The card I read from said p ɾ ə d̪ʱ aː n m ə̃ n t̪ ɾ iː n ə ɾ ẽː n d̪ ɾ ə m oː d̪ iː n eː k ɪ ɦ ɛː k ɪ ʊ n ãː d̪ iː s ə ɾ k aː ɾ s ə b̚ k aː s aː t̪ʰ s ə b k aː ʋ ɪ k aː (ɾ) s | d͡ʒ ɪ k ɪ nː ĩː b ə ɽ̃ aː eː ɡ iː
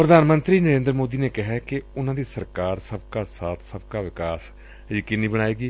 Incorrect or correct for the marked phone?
incorrect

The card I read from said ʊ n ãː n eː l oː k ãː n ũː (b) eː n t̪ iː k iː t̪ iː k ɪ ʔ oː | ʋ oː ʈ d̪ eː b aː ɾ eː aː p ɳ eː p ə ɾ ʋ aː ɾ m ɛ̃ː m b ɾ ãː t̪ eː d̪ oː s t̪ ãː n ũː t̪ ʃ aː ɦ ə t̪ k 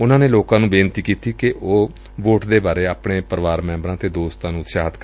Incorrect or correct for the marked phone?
correct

